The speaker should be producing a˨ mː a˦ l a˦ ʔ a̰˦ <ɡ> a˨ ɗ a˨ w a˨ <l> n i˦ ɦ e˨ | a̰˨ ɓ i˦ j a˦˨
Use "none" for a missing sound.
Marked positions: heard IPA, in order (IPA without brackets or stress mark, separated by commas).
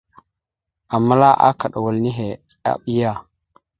k, l